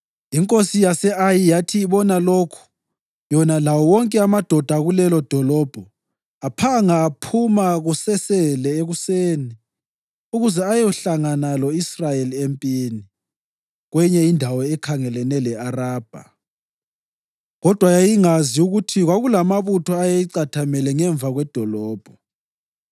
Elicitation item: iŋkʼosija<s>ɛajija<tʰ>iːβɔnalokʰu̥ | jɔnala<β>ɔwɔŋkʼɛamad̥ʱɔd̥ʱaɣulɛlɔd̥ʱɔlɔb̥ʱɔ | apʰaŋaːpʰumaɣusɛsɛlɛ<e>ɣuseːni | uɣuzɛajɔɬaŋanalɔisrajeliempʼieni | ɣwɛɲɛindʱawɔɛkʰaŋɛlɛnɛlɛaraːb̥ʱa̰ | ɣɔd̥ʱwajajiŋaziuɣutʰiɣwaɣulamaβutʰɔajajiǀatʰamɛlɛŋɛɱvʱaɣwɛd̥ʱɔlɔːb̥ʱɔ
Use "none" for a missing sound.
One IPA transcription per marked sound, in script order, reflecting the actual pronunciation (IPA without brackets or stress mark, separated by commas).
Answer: s, tʰ, w, e